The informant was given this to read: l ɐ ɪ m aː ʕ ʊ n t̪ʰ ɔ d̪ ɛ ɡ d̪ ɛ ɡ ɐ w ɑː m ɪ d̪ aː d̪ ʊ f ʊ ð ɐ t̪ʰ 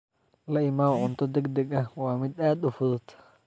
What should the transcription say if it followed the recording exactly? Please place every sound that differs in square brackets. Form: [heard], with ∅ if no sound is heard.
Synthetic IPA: l ɐ ɪ m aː ʕ ʊ n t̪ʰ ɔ d̪ ɛ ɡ d̪ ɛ ɡ ɐ w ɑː m ɪ d̪ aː d̪ ʊ f ʊ ð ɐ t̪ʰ